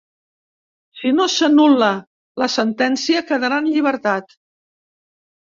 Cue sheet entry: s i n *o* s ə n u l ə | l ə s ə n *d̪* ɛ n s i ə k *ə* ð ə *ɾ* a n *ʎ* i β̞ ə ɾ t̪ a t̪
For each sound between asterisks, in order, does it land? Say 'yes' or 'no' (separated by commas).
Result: yes, no, yes, yes, yes